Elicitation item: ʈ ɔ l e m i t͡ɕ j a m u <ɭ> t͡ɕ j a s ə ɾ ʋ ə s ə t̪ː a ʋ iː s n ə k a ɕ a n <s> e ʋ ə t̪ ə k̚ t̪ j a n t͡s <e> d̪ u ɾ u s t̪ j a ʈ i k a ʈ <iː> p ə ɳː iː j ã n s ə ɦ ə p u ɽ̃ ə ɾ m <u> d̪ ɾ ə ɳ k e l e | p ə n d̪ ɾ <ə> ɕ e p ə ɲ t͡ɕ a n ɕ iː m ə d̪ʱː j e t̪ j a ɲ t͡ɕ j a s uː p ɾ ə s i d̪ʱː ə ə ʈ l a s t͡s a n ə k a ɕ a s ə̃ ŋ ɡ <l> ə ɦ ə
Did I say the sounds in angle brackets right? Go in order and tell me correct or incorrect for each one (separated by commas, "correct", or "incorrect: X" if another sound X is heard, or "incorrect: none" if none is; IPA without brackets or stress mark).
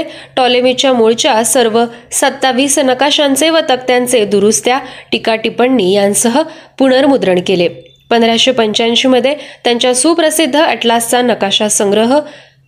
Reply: correct, incorrect: t͡s, correct, incorrect: i, correct, incorrect: a, incorrect: ɾ